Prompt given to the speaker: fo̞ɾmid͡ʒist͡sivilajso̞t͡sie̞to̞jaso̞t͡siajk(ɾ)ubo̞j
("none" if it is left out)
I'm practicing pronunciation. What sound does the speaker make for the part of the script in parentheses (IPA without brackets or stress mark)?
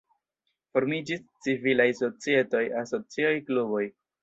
l